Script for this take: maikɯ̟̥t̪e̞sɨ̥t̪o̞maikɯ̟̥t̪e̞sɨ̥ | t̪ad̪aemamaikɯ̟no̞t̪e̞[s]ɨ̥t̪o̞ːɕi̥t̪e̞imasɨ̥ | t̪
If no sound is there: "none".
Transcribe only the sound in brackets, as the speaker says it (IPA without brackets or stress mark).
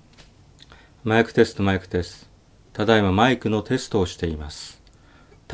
s